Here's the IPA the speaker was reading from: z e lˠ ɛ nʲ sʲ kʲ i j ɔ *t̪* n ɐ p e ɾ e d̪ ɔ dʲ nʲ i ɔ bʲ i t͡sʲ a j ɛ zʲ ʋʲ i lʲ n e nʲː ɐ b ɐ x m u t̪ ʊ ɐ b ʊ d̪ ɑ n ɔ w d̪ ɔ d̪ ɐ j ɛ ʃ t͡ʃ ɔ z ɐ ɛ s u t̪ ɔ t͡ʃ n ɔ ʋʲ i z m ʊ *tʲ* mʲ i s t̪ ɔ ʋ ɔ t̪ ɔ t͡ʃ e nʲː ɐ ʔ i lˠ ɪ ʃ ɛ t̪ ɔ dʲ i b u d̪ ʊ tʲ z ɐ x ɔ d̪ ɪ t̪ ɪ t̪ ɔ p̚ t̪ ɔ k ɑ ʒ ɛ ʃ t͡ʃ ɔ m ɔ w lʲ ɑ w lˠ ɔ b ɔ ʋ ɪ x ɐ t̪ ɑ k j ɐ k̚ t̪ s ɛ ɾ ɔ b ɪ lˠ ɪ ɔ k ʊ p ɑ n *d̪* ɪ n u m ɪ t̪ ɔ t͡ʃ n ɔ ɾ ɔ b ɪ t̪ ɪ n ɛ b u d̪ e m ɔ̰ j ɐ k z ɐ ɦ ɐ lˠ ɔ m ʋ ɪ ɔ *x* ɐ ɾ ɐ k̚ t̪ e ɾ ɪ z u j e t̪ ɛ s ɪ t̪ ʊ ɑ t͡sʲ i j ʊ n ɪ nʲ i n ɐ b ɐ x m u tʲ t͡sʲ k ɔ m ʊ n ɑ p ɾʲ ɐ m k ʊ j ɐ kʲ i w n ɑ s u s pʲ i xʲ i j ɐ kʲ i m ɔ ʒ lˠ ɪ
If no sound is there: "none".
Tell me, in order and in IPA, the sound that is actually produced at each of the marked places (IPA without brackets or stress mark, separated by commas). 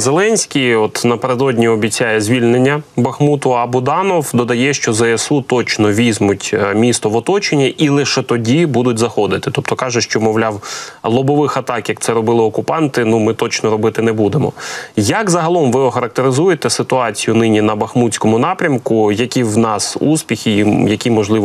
t̪, tʲ, t̪, x